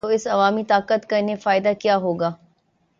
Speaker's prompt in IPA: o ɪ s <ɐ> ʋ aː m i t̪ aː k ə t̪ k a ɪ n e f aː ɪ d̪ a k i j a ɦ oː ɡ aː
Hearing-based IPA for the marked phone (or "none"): ɐ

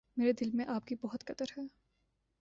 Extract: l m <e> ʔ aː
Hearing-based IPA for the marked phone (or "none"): ẽ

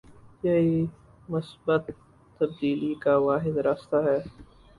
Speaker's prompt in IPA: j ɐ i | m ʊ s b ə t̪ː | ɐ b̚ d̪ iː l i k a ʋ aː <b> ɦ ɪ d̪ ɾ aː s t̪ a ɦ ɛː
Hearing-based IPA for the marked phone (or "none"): none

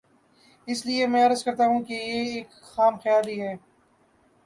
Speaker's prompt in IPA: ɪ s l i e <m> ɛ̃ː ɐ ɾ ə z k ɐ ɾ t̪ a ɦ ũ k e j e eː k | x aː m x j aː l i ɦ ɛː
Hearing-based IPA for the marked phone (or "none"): m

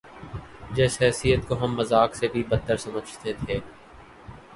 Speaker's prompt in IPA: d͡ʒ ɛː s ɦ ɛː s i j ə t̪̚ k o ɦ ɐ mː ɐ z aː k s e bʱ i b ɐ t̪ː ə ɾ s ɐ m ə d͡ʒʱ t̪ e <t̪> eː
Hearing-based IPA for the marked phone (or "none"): t̪ʰ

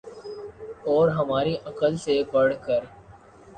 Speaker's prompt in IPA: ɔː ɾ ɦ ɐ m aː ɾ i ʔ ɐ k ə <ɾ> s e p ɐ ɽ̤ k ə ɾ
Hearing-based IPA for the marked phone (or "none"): l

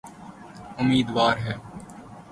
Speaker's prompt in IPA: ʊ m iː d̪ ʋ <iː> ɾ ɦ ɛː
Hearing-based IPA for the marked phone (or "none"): aː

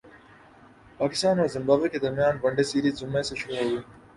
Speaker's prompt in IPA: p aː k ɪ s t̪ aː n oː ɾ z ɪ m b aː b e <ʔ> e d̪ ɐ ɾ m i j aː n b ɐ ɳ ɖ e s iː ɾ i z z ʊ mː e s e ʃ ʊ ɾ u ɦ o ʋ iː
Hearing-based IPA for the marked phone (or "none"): k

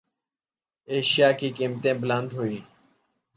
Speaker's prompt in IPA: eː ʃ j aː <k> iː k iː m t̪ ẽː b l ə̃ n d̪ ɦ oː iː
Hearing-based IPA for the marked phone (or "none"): k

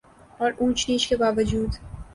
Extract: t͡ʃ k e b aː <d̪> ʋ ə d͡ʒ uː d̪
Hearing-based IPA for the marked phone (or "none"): none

